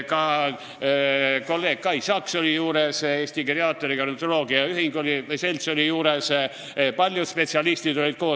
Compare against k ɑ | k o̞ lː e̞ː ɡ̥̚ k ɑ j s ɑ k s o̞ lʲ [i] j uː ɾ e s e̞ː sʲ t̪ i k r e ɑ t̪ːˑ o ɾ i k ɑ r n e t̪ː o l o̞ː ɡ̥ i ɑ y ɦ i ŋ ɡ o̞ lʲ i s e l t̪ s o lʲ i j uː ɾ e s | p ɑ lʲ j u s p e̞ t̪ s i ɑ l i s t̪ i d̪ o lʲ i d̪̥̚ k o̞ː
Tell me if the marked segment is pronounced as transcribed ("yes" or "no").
yes